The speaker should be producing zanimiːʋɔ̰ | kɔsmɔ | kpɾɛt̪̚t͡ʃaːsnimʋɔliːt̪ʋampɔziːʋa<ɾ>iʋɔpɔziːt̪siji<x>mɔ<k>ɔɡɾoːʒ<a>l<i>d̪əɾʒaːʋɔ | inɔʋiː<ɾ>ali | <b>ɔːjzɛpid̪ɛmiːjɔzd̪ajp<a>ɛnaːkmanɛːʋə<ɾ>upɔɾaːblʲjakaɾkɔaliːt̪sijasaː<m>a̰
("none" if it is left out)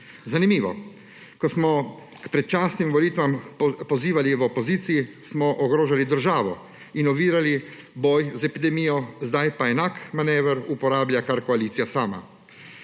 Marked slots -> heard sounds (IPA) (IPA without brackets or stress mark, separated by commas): l, s, ʔ, a, i, ɾ, b, a, ɾ, m